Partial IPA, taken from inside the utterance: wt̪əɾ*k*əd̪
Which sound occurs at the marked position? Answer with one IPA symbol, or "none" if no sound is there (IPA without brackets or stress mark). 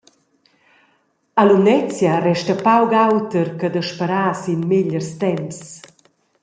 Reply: k